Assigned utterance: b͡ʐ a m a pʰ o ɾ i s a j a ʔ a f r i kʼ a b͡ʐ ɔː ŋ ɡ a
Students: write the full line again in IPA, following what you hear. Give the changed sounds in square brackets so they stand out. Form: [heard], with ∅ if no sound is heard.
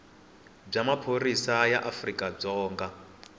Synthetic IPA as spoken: b͡ʐ a m a pʰ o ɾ i s a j a ʔ a f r i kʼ a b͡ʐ ɔː ŋ ɡ a

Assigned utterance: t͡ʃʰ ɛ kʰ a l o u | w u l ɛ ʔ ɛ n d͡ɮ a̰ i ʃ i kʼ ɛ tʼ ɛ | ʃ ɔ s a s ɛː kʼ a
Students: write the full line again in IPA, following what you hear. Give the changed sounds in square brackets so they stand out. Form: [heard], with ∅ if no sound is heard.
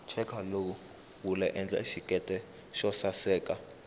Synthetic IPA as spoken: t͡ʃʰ ɛ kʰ a l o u | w u l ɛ ʔ ɛ n d͡ɮ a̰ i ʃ i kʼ ɛ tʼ ɛ | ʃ ɔ s a s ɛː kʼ a

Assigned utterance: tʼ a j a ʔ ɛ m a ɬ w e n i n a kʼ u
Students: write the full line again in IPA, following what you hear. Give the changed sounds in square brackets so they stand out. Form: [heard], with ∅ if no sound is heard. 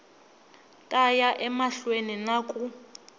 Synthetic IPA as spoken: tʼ a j a ʔ ɛ m a ɬ w e n i n a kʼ u

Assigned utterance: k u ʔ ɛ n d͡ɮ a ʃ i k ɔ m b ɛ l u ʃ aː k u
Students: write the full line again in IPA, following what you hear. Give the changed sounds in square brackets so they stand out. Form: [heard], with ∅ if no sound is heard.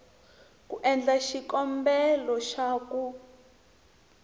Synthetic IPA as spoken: k u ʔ ɛ n d͡ɮ a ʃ i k ɔ m b ɛ l [ɔ] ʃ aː k u

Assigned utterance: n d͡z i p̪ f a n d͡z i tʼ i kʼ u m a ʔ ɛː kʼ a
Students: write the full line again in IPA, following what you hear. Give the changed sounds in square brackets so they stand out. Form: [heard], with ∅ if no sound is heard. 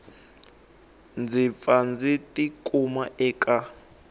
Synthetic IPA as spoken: n d͡z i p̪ f a n d͡z i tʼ i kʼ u m a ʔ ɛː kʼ a

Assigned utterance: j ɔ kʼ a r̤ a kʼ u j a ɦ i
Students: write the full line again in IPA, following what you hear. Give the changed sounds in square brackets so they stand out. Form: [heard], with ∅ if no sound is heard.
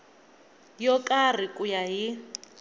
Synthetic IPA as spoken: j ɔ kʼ a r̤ [i] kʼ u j a ɦ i

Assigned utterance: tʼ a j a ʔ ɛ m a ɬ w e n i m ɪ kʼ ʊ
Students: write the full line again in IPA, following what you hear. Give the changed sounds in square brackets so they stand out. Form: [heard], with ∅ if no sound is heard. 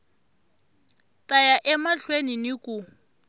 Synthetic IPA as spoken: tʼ a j a ʔ ɛ m a ɬ w e n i [n] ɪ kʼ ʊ

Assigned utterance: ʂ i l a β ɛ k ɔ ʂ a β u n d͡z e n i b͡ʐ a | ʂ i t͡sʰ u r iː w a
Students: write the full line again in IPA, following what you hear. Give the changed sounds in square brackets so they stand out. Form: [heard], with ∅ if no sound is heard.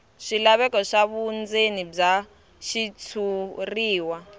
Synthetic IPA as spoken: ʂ i l a β ɛ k ɔ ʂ a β u n d͡z e n i b͡ʐ a | [ʃ] i t͡sʰ u r iː w a

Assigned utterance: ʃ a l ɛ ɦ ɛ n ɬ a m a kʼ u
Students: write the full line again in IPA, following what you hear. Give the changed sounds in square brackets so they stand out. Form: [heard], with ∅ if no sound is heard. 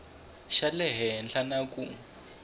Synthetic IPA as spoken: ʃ a l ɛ ɦ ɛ n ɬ a [n] a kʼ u

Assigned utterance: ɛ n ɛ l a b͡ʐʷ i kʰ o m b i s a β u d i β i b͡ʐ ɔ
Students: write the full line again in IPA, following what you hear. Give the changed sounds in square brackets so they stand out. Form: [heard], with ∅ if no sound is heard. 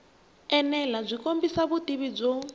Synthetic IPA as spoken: ɛ n ɛ l a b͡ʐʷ i [k] o m b i s a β u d i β i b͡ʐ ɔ

